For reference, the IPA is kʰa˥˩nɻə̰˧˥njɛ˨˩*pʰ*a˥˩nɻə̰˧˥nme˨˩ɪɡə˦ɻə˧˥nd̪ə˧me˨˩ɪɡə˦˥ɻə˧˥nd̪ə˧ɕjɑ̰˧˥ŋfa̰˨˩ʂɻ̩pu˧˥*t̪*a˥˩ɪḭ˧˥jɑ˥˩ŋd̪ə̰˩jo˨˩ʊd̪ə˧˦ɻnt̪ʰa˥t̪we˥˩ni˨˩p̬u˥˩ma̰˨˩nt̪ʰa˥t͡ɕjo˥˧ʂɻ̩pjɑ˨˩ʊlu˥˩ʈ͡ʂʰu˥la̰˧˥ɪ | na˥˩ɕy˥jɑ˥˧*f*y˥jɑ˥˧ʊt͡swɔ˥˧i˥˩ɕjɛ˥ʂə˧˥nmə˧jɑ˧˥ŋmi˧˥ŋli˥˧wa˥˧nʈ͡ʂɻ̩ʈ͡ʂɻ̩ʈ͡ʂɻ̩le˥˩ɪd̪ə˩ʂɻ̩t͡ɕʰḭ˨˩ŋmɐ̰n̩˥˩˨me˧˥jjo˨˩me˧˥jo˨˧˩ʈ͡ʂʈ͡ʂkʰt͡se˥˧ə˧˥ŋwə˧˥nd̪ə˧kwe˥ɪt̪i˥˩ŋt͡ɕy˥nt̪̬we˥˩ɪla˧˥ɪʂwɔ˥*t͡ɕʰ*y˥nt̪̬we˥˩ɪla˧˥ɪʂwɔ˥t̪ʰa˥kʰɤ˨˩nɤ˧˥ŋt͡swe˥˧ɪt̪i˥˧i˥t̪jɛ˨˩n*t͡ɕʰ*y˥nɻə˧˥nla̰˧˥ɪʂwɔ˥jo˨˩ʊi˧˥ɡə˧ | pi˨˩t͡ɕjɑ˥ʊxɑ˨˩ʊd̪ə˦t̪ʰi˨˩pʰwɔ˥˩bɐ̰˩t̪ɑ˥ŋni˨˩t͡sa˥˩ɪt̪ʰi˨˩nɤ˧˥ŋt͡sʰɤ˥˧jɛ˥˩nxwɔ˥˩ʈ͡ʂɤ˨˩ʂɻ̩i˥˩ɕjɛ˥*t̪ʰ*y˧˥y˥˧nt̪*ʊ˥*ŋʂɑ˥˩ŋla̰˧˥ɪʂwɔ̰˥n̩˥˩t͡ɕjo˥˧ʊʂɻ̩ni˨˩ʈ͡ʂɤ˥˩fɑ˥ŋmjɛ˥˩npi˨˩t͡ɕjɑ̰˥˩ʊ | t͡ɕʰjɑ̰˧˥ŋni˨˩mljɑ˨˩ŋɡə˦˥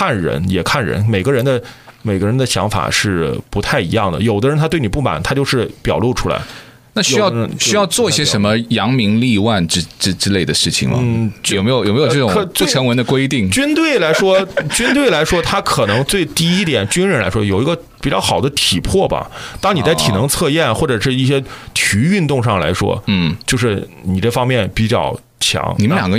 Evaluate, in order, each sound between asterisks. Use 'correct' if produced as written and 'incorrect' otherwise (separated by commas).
incorrect, incorrect, incorrect, incorrect, incorrect, correct, incorrect